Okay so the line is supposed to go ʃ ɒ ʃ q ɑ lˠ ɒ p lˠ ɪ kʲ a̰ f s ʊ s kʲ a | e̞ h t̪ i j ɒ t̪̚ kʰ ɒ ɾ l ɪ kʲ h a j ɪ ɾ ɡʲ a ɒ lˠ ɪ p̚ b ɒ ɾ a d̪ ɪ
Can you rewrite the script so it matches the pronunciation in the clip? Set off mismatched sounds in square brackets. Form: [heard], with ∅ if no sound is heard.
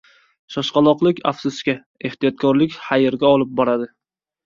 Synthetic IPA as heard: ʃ ɒ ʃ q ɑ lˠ ɒ [q] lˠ ɪ kʲ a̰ f s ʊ s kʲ a | e̞ h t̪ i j ɒ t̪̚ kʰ ɒ ɾ l ɪ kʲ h a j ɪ ɾ ɡʲ a ɒ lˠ ɪ p̚ b ɒ ɾ a d̪ ɪ